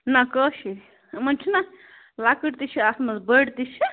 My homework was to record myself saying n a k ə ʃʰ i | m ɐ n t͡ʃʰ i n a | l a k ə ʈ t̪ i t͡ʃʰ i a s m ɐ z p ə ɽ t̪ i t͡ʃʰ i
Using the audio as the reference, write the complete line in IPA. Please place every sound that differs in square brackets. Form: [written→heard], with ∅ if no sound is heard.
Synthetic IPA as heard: n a k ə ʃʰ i | m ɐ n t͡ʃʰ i n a | l a k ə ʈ t̪ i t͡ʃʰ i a s m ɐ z [p→b] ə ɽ t̪ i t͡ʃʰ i